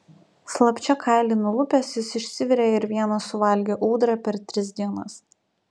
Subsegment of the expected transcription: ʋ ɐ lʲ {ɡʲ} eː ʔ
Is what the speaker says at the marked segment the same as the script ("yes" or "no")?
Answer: yes